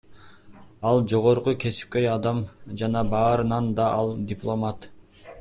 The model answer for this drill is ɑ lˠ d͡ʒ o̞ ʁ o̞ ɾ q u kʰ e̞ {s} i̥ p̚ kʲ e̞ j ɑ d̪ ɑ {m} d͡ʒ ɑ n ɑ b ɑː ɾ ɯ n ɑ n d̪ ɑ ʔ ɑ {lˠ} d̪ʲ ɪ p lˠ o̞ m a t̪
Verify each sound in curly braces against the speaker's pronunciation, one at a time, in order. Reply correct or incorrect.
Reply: correct, correct, correct

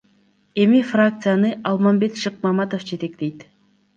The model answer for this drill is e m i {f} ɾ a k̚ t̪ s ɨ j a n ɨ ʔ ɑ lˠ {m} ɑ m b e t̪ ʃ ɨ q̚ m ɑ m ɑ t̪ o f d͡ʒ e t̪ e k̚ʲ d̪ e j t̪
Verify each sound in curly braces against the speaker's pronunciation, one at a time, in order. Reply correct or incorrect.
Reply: correct, correct

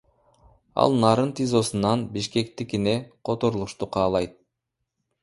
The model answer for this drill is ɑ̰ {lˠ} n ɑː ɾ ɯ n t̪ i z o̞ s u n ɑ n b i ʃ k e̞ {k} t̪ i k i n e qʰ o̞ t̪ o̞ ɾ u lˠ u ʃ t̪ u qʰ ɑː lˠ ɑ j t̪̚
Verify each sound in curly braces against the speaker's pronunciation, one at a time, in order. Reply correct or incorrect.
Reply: correct, correct

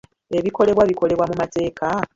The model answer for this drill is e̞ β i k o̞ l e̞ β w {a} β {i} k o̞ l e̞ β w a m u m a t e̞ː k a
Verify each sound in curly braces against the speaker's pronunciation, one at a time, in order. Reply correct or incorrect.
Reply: correct, correct

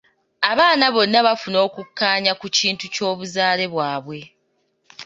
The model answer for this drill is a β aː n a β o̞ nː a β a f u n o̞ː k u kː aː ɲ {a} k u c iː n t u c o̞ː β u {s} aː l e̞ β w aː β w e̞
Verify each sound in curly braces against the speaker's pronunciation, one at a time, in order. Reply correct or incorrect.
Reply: correct, incorrect

